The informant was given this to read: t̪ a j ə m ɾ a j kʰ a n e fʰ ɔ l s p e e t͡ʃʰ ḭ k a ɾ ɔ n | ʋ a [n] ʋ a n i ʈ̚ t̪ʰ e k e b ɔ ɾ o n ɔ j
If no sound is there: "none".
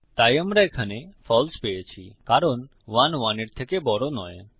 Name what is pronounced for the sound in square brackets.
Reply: n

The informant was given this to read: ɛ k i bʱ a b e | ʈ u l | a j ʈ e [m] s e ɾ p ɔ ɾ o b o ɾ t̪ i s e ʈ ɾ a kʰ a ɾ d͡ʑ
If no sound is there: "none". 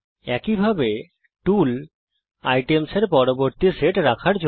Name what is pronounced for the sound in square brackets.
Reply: m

